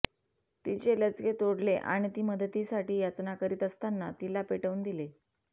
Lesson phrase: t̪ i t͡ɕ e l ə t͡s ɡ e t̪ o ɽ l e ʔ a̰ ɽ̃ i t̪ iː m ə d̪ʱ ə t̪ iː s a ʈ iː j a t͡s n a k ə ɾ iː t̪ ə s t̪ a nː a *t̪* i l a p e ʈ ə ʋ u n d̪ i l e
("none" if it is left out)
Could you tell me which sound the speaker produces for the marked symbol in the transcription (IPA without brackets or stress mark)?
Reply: t̪